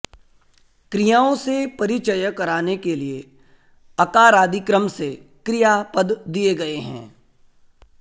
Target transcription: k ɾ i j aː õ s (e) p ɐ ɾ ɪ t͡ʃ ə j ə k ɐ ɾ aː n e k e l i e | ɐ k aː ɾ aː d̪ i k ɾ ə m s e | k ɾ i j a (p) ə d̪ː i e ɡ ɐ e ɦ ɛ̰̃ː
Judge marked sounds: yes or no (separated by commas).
yes, yes